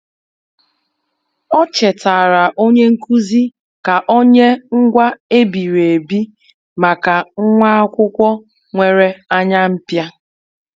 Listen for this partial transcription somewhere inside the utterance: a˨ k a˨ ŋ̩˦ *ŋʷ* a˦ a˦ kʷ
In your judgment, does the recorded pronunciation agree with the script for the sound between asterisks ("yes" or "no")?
yes